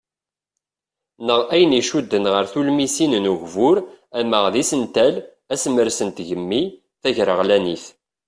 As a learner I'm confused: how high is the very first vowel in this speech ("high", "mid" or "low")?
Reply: mid